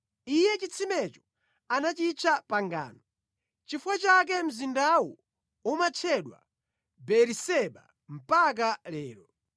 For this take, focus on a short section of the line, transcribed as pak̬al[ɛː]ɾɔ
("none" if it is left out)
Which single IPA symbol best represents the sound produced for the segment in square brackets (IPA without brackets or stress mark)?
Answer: ɛː